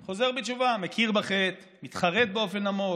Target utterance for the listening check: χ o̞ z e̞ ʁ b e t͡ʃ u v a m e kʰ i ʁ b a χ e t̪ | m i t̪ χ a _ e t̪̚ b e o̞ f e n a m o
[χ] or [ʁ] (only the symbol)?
ʁ